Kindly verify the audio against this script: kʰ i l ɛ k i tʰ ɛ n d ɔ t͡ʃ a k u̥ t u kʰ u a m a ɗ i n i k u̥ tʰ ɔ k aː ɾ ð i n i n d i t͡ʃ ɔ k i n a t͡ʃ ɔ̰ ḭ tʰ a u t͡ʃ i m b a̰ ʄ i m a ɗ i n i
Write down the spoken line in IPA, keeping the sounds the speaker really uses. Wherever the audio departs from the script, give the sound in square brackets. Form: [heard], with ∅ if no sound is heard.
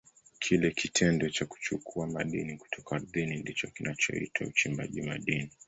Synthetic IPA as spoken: kʰ i l ɛ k i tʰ ɛ n d ɔ t͡ʃ a k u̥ [t͡ʃ] u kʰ u a m a ɗ i n i k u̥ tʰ ɔ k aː ɾ ð i n i n d i t͡ʃ ɔ k i n a t͡ʃ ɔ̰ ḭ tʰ a u t͡ʃ i m b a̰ ʄ i m a ɗ i n i